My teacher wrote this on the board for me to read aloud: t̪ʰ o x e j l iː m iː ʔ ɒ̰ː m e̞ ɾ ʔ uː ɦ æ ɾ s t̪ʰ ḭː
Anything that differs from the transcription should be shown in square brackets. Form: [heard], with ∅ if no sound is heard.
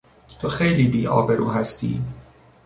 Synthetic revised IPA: t̪ʰ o x e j l iː [b] iː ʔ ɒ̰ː [b] e̞ ɾ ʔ uː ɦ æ [∅] s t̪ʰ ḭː